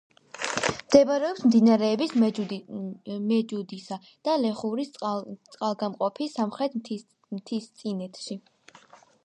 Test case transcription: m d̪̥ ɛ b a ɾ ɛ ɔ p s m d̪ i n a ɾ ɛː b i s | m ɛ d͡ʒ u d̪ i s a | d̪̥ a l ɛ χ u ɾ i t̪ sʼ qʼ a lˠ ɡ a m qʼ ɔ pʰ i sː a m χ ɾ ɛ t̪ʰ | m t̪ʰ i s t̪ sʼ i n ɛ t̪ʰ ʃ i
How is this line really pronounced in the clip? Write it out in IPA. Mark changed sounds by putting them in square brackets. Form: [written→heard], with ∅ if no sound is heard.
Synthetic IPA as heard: m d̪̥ ɛ b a ɾ ɛ ɔ p s m d̪ i n a ɾ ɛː b i s | m ɛ d͡ʒ u d̪ i s a | d̪̥ a l ɛ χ u ɾ i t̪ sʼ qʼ a lˠ ɡ a m qʼ ɔ pʰ i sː a m χ ɾ ɛ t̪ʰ | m t̪ʰ i s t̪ sʼ i n ɛ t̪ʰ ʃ i